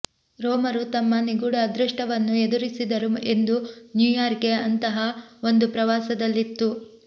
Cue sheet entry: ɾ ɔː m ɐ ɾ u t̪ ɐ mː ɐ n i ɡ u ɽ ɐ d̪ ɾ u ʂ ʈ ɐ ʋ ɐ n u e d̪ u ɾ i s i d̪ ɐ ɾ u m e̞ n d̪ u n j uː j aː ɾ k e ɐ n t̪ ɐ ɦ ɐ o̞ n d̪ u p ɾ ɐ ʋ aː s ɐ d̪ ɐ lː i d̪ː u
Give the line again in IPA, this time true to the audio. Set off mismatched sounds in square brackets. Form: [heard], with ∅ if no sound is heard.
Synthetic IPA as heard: ɾ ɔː m ɐ ɾ u t̪ ɐ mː ɐ n i ɡ u ɽ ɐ d̪ ɾ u ʂ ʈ ɐ ʋ ɐ [nː] u e d̪ u ɾ i s i d̪ ɐ ɾ u m e̞ n d̪ u n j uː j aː ɾ k e ɐ n t̪ ɐ ɦ ɐ o̞ n d̪ u p ɾ ɐ ʋ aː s ɐ d̪ ɐ lː i [t̪ː] u